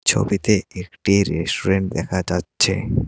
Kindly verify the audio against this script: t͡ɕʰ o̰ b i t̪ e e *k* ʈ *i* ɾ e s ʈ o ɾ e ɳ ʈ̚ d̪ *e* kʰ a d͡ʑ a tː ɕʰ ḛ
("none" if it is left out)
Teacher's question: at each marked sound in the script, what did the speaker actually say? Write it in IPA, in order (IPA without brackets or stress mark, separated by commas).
k, i, ɛ